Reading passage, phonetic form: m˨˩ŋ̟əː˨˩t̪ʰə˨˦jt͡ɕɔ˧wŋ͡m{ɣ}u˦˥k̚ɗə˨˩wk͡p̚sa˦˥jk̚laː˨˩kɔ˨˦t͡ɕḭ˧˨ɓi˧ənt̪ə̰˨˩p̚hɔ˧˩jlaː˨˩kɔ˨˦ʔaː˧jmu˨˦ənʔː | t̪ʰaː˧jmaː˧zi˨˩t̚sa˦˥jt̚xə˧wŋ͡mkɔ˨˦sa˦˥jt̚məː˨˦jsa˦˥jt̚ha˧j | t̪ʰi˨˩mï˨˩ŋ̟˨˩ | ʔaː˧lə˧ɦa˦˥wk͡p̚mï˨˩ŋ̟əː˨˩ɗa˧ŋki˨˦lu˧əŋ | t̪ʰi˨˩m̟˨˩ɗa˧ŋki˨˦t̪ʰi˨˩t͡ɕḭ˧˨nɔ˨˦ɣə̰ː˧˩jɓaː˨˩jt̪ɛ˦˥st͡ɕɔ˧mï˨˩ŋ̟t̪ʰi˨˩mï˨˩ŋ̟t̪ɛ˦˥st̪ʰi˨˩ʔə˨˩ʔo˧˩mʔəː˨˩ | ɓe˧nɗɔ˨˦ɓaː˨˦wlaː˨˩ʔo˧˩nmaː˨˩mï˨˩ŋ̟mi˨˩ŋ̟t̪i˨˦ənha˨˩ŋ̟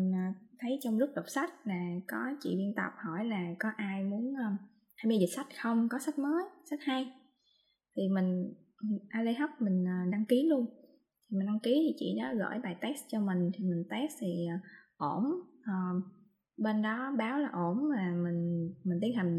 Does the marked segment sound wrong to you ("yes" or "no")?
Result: yes